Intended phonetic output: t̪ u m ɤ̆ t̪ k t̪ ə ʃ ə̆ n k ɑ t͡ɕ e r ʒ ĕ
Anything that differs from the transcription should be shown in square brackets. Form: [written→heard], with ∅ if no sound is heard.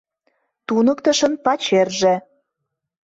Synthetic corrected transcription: t̪ u [m→n] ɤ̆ [t̪→∅] k t̪ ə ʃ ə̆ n [k→p] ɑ t͡ɕ e r ʒ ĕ